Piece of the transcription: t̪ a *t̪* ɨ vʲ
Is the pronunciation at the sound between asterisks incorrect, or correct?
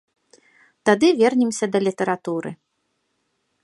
incorrect: d̪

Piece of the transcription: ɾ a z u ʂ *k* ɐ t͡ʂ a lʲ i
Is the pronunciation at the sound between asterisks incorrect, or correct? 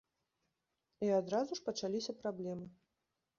incorrect: p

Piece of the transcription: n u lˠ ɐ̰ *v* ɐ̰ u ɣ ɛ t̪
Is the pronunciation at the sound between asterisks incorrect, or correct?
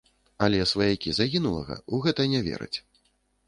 incorrect: ɣ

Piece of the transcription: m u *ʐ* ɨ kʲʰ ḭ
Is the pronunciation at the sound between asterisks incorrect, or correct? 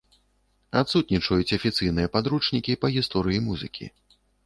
incorrect: z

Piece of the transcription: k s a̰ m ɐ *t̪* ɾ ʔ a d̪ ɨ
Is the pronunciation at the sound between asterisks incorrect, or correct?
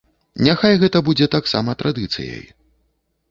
correct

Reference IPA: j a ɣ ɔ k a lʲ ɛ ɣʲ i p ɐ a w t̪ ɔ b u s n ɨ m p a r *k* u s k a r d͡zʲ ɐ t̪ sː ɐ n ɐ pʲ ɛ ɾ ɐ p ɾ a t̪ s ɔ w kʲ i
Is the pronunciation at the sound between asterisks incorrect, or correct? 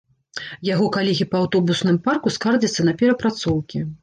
correct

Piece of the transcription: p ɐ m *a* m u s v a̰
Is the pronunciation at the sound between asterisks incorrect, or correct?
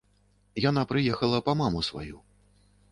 correct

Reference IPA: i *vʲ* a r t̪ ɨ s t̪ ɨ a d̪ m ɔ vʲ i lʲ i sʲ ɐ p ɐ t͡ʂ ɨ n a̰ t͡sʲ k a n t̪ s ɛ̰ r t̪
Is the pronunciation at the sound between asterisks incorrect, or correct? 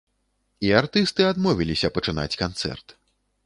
incorrect: none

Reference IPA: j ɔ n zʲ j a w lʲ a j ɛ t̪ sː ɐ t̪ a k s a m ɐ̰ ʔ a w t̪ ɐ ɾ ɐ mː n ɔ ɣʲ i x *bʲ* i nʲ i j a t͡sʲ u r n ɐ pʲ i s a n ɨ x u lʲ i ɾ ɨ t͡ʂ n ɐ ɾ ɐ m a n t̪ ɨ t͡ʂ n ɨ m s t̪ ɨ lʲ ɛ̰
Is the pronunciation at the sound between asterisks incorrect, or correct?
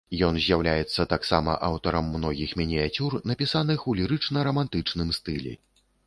incorrect: mʲ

